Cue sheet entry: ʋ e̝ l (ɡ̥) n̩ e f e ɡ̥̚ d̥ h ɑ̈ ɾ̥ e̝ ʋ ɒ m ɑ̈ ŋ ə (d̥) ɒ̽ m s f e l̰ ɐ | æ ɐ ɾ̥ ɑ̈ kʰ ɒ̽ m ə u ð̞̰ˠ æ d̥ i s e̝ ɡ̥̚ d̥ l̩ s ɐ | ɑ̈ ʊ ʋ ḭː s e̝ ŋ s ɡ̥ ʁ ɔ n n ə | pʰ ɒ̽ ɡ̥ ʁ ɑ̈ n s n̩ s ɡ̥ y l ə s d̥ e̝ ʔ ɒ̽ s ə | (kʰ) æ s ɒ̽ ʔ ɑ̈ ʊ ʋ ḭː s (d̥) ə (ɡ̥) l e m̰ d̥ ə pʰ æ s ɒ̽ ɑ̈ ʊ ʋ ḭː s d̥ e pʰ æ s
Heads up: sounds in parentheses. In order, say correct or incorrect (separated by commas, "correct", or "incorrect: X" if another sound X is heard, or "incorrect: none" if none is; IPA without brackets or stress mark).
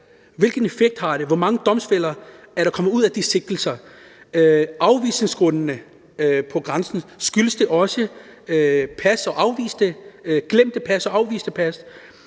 correct, correct, incorrect: pʰ, correct, correct